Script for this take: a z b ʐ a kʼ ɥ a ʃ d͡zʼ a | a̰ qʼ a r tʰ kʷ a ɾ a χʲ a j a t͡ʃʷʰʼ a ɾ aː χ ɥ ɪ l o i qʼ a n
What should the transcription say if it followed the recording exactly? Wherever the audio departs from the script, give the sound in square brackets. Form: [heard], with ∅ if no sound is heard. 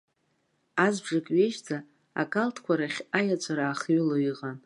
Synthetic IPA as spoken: a z b ʐ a kʼ ɥ [e] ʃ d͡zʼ a | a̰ [kʼ] a [l] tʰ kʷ a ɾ a χʲ a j a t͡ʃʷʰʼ a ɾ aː χ ɥ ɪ l o i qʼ a n